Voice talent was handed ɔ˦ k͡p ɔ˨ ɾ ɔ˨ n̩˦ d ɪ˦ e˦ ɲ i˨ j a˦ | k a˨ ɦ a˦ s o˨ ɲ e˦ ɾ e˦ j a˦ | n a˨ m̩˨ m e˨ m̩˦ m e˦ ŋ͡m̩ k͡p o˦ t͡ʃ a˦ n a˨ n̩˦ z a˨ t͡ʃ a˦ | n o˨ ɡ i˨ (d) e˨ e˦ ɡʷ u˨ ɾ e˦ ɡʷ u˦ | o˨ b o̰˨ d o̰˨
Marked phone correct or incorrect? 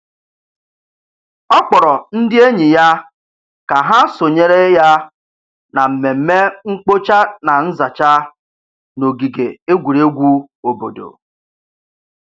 incorrect